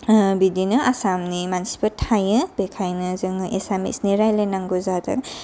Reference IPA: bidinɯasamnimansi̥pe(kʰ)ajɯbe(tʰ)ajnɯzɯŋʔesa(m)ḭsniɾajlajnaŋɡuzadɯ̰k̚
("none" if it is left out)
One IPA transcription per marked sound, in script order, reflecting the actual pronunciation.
tʰ, kʰ, m

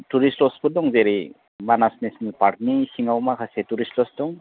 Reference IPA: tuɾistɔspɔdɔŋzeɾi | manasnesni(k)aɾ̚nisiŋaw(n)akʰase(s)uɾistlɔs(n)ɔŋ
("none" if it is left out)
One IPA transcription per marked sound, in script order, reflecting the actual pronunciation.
p, m, t, d

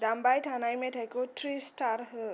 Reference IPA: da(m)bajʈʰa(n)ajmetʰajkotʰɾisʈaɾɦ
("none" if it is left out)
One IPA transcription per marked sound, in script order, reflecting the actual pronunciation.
m, n

